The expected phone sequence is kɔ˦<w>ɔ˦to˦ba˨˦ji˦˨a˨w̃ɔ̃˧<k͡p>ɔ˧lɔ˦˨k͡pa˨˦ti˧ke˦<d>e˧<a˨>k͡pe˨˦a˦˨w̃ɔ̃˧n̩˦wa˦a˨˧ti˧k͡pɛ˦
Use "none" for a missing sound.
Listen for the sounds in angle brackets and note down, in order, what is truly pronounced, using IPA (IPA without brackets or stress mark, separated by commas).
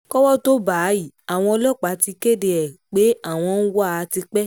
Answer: w, none, d, ɛ˨